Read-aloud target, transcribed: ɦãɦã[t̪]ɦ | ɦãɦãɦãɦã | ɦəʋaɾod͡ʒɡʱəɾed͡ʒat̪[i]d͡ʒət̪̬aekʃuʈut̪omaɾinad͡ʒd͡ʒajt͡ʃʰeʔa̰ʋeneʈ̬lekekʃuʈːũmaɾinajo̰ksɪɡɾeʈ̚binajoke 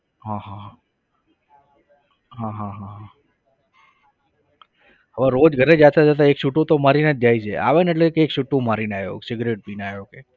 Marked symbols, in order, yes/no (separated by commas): no, no